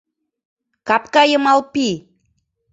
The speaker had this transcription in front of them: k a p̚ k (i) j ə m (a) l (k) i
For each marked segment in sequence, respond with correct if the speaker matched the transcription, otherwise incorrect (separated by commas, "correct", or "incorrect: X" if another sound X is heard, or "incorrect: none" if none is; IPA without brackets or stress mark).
incorrect: a, correct, incorrect: p